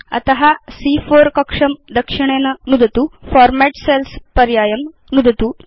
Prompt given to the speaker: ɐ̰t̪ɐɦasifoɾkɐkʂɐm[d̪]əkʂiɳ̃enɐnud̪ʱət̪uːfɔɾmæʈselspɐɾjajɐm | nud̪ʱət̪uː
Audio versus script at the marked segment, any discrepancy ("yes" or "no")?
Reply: no